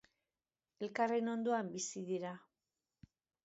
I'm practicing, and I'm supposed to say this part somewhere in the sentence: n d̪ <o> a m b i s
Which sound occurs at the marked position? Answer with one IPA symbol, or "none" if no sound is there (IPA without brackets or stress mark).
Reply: o